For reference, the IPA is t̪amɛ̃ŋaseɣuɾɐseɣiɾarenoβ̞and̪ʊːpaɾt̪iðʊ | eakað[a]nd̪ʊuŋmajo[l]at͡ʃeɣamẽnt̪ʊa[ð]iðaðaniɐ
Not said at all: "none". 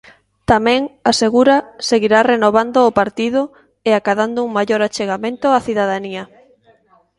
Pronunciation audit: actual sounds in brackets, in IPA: a, ɾ, θ

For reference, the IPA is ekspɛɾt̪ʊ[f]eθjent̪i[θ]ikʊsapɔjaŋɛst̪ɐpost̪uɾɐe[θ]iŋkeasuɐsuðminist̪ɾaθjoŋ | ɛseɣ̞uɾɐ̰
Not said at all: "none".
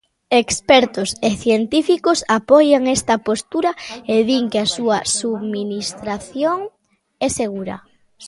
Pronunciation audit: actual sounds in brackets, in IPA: s, f, ð

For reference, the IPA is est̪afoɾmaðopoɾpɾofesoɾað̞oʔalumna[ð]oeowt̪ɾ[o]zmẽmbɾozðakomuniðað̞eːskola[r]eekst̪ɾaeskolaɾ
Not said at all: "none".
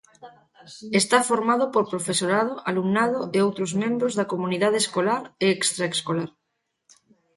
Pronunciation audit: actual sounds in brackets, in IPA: ð, o, ɾ

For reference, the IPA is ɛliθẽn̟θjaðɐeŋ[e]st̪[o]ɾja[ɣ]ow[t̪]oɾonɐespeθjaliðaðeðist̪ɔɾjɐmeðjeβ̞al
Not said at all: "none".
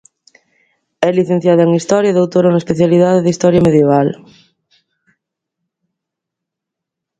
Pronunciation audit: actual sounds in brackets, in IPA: i, ɔ, ð, t̪

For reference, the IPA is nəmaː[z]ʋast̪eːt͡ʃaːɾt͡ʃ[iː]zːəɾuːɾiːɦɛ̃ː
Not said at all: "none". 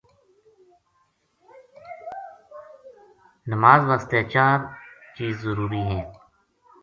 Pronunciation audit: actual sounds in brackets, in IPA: z, iː

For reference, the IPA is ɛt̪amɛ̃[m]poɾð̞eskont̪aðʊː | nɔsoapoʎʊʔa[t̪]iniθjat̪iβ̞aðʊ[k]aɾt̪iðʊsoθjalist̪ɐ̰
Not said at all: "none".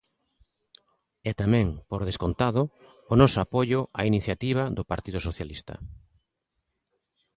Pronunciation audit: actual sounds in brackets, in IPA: ŋ, none, p

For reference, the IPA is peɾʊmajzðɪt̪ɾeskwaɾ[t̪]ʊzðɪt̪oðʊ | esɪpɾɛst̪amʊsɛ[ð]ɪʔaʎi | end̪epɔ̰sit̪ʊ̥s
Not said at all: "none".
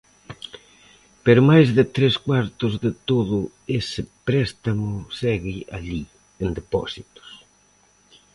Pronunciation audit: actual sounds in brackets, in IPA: t̪, ɣ

